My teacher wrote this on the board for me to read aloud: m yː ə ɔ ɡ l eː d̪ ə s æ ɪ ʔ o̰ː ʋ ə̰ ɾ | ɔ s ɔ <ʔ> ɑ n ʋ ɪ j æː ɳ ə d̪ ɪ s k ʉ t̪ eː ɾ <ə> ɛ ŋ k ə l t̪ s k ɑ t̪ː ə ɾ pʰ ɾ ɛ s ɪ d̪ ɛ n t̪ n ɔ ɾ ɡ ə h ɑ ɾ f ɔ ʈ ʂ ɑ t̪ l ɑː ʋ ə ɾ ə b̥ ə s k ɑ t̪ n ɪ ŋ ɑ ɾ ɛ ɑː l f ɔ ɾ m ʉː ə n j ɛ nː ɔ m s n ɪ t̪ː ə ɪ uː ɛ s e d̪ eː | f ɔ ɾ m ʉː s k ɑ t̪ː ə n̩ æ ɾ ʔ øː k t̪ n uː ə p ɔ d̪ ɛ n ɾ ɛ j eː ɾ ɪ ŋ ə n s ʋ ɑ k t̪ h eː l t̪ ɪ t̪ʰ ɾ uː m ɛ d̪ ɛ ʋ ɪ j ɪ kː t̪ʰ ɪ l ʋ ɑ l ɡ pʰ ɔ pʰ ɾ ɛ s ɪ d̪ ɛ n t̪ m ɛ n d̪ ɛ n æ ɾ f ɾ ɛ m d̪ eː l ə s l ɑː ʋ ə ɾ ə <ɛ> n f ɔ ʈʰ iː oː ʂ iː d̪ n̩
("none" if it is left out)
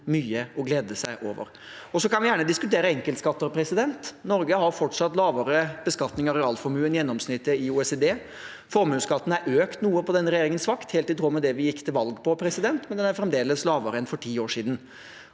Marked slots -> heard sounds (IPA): k, ə, ɛ

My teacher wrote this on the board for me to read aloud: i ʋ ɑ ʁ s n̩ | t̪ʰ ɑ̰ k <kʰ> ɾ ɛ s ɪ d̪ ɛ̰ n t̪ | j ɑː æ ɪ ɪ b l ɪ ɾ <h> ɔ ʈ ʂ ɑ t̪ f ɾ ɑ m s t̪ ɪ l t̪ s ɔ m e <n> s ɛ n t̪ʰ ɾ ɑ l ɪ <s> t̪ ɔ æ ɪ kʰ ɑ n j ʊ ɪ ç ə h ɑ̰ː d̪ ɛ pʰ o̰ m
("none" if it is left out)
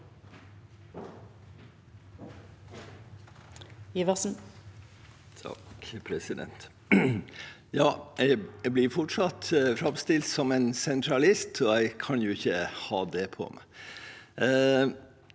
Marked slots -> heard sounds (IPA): pʰ, f, n, s

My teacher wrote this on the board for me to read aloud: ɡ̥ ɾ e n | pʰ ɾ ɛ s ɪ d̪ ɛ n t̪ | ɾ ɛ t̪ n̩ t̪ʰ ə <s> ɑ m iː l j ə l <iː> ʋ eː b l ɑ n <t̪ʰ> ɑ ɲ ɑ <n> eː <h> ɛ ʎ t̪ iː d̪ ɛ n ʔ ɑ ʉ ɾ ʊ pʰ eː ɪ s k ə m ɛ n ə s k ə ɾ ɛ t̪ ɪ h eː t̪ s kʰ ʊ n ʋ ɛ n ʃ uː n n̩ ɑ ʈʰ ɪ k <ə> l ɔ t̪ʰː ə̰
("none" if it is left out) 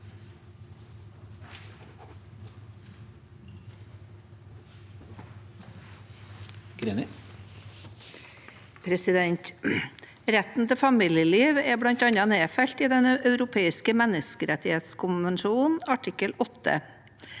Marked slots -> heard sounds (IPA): f, iː, t̪, n, f, ə

